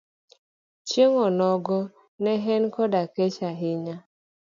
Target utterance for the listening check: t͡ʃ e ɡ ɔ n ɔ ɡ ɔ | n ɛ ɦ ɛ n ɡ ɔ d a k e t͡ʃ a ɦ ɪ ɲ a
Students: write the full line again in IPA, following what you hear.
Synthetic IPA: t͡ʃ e ŋ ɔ n ɔ ɡ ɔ | n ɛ ɦ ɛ n k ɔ d a k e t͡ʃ a ɦ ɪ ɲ a